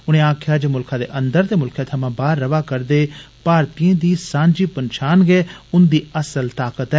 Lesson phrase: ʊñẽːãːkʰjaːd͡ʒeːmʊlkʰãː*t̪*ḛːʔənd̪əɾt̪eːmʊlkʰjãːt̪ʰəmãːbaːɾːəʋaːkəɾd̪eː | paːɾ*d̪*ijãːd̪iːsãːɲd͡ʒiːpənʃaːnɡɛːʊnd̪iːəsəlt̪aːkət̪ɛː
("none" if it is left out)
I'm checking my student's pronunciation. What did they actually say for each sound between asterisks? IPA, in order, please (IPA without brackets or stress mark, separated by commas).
d̪, t̪